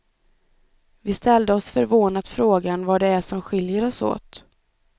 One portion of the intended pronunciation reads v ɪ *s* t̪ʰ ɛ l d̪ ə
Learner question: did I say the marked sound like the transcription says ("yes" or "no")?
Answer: yes